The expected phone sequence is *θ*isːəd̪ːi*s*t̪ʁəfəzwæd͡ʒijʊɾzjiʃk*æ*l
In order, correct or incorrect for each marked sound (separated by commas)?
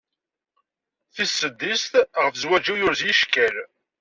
correct, correct, correct